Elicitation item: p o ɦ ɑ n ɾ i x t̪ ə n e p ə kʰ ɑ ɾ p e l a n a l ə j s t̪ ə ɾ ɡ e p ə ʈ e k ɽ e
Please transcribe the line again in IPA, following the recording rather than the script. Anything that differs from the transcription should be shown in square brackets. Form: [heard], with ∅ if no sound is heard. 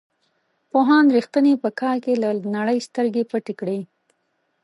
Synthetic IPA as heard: p o ɦ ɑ n ɾ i x t̪ ə n e p ə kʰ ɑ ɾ [k] e l a n a [ɽ] ə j s t̪ ə ɾ ɡ e p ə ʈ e k ɽ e